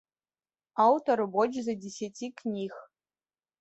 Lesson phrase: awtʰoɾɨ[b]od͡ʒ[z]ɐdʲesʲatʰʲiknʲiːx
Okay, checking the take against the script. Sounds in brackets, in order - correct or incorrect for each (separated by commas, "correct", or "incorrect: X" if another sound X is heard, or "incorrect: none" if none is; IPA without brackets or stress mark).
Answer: correct, correct